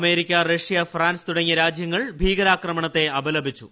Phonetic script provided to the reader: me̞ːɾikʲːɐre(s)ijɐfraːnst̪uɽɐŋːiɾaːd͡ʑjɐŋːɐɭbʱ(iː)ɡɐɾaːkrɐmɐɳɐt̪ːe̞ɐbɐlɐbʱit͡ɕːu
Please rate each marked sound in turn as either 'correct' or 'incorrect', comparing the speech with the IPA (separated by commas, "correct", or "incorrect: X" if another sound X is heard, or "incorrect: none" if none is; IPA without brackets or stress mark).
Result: incorrect: ʂ, correct